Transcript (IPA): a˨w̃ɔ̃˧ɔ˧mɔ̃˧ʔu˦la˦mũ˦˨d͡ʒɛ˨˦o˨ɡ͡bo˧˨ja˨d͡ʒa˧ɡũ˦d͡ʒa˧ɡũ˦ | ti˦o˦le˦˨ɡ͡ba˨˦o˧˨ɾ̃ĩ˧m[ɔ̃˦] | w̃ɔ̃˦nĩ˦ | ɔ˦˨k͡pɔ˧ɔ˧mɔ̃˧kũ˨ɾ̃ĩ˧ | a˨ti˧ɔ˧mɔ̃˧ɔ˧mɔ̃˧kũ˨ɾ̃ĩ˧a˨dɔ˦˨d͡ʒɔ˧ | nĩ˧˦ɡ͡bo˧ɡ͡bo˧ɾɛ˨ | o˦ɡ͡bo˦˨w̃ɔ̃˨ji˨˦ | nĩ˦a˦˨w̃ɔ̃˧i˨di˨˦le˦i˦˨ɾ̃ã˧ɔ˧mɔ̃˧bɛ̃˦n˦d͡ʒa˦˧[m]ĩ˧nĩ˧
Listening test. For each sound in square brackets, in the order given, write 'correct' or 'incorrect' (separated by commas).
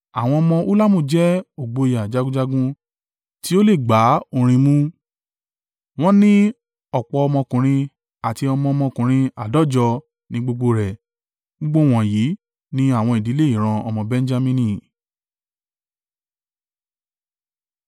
incorrect, correct